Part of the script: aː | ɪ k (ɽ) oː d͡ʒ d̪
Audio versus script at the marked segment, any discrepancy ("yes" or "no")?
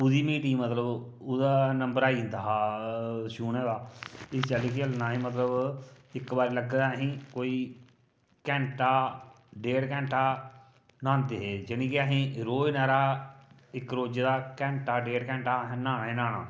yes